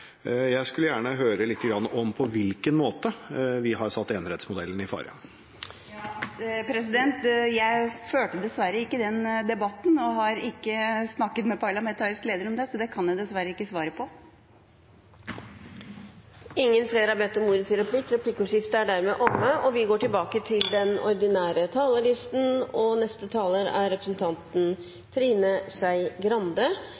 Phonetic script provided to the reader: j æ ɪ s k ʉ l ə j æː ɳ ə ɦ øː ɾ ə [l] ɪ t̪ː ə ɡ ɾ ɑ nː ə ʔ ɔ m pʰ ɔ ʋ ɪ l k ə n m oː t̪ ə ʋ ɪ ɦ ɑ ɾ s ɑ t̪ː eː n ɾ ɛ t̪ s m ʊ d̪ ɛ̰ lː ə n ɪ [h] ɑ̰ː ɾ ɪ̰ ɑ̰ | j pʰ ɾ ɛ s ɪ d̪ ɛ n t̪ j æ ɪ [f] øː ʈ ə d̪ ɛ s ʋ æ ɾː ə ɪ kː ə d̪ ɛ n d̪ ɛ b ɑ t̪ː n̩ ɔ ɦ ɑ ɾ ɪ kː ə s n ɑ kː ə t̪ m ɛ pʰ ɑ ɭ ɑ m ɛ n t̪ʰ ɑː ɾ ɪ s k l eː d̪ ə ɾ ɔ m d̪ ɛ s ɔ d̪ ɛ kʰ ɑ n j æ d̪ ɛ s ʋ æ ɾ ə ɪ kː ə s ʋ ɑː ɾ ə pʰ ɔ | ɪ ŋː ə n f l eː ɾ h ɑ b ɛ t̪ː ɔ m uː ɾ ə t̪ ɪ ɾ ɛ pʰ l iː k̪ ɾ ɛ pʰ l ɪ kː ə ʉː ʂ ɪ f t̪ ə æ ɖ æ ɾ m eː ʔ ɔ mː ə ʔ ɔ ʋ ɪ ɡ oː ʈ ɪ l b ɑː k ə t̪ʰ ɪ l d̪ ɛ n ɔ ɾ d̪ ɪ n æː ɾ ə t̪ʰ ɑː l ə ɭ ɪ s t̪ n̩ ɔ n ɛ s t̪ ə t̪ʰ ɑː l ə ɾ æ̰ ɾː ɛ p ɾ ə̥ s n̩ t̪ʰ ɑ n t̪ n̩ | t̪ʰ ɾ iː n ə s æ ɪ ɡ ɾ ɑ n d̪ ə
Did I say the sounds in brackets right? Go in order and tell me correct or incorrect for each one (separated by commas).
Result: correct, incorrect, correct